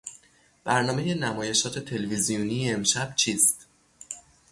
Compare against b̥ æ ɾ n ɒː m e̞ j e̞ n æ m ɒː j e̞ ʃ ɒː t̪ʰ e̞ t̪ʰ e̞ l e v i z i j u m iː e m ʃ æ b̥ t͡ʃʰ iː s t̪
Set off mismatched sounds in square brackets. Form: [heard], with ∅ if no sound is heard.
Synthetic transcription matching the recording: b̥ æ ɾ n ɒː m e̞ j e̞ n æ m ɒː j e̞ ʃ ɒː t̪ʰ e̞ t̪ʰ e̞ l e v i z i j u [n] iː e m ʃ æ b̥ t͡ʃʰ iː s t̪